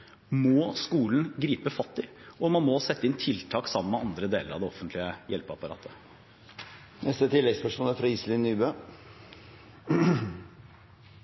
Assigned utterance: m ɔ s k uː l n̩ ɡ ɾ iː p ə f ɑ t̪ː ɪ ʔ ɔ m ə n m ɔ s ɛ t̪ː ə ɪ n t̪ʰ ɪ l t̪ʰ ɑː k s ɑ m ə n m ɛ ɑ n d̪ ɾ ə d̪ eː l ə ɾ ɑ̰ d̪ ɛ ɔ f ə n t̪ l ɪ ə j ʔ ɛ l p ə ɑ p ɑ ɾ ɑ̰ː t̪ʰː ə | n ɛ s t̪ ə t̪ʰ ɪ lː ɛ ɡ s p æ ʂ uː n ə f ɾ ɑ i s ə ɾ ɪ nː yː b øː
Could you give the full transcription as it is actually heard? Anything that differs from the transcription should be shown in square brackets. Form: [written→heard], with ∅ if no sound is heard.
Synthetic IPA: m ɔ s k uː l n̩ ɡ ɾ iː p ə f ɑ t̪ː ɪ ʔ ɔ m [ə→ɑ] n m ɔ s ɛ t̪ː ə ɪ n t̪ʰ ɪ l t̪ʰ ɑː k s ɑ m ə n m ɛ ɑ n d̪ ɾ ə d̪ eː l ə ɾ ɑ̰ d̪ ɛ ɔ f ə n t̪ l ɪ ə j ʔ ɛ l p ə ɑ p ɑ ɾ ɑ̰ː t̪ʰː ə | n ɛ s t̪ ə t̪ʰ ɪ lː ɛ ɡ s p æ ʂ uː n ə f ɾ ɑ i s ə [ɾ→l] ɪ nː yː b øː